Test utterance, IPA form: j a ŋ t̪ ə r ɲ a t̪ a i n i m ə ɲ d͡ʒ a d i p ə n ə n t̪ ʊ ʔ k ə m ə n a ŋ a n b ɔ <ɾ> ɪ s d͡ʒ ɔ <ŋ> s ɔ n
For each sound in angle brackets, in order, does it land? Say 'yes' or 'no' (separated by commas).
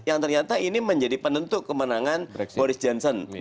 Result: yes, no